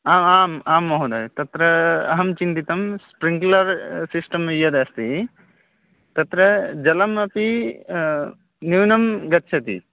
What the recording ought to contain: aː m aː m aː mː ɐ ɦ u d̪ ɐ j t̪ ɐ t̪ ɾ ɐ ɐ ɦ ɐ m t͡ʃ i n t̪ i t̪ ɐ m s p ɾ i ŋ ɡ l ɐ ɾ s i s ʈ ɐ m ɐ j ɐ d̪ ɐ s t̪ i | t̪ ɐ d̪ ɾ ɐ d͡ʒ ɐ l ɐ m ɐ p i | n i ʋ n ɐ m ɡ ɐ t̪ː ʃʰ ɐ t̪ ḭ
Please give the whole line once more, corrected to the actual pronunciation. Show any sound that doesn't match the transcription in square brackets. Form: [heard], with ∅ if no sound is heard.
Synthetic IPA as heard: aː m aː m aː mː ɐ ɦ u d̪ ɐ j t̪ ɐ t̪ ɾ ɐ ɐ ɦ ɐ m t͡ʃ i n t̪ i t̪ ɐ m s p ɾ i ŋ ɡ l ɐ ɾ s i s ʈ ɐ m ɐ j ɐ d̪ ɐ s t̪ i | t̪ ɐ [t̪] ɾ ɐ d͡ʒ ɐ l ɐ m ɐ p i | n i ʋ n ɐ m ɡ ɐ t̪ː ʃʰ ɐ t̪ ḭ